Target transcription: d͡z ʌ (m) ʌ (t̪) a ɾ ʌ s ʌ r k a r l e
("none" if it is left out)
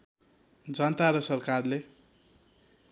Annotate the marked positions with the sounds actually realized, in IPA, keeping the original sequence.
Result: n, t̪

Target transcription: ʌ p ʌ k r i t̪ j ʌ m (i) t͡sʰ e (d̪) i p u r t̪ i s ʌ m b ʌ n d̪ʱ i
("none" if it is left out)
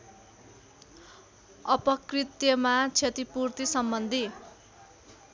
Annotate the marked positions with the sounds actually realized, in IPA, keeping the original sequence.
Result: a, t̪

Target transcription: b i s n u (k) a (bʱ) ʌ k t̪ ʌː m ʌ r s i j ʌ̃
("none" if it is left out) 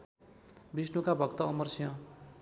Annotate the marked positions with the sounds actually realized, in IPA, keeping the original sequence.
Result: k, bʱ

